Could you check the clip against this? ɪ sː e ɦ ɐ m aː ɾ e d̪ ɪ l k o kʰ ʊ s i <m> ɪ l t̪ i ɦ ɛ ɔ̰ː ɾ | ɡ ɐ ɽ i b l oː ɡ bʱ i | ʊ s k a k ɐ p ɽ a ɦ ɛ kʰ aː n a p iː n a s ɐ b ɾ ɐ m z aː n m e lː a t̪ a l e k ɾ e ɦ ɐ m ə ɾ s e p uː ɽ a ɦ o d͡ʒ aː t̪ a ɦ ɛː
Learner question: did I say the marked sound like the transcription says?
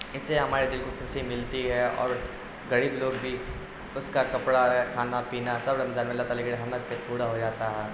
yes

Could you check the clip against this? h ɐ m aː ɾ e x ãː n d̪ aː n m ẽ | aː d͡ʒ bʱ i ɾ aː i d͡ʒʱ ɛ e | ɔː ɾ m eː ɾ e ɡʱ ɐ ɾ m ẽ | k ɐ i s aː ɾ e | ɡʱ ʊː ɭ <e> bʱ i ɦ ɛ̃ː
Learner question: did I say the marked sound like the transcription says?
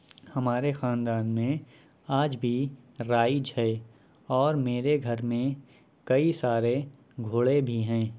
yes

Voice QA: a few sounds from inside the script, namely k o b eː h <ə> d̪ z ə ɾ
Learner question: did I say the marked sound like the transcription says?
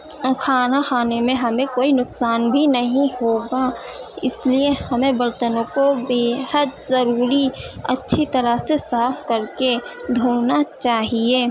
yes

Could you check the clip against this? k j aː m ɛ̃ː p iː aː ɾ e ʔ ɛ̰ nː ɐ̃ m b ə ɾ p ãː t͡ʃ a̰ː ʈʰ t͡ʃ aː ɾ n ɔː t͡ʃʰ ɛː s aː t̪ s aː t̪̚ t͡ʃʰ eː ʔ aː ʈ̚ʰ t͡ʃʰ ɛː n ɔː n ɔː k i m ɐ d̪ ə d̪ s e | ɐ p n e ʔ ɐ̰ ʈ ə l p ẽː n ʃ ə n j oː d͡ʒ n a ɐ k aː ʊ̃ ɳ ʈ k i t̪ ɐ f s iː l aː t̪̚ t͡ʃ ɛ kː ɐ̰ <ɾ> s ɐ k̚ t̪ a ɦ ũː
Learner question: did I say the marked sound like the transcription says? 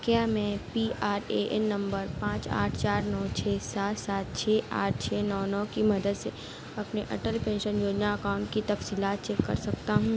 yes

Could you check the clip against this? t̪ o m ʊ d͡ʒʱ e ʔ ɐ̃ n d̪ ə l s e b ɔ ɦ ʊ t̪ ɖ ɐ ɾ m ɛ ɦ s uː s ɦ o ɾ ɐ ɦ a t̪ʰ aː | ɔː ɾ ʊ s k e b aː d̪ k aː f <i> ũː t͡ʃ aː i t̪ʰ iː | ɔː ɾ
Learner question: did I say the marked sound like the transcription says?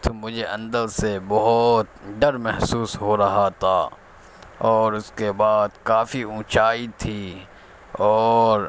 yes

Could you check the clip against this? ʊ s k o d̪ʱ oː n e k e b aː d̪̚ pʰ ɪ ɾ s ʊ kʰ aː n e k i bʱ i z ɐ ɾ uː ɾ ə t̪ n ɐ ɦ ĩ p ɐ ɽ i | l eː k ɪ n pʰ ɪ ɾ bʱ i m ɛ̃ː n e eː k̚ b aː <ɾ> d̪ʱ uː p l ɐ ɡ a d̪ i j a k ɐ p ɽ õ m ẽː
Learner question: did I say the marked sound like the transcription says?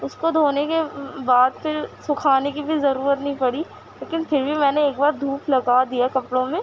yes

